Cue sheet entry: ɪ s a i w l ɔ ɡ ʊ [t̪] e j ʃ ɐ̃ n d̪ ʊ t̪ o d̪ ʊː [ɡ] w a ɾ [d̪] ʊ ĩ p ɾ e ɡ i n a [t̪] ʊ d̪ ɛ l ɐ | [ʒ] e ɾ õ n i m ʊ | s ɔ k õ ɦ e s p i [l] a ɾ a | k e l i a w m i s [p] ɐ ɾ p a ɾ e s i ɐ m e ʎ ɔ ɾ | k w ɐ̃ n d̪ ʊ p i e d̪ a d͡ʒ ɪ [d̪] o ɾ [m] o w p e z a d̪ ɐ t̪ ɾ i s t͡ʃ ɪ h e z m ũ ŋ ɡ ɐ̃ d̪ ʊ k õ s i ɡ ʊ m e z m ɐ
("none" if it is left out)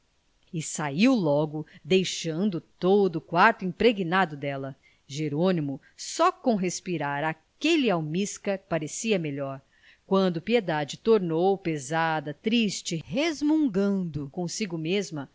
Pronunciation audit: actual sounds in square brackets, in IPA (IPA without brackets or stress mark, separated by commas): d̪, k, t̪, d̪, ʒ, ɾ, k, t̪, n